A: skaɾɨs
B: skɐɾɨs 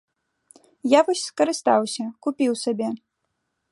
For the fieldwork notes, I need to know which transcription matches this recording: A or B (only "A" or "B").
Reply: B